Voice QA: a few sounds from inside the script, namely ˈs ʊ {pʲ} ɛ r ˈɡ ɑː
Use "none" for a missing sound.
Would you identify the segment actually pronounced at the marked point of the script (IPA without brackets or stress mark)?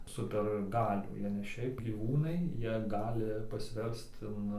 pʲ